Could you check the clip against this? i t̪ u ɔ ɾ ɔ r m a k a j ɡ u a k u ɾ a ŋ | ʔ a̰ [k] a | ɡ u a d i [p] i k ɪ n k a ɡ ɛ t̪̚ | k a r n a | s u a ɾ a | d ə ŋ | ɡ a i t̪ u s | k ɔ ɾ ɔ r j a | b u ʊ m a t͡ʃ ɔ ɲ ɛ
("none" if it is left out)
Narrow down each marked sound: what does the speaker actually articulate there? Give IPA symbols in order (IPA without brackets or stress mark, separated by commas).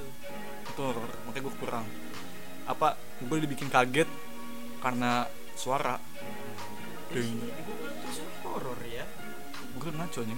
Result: p, b